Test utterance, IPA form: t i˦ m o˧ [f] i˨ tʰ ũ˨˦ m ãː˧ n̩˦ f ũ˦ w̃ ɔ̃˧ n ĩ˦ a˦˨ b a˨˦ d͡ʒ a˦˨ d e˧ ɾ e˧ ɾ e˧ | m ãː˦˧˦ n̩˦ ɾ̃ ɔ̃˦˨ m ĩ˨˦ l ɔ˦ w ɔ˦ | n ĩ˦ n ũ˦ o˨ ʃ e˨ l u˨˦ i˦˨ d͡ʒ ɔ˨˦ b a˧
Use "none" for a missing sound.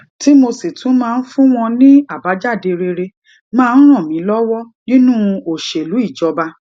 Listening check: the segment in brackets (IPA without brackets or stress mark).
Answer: s